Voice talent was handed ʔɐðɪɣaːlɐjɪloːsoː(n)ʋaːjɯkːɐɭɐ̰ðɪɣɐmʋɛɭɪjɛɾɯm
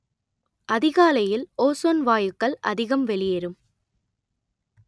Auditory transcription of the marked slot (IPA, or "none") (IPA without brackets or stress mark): n